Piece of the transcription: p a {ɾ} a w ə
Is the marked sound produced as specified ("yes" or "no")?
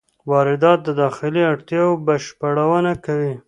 no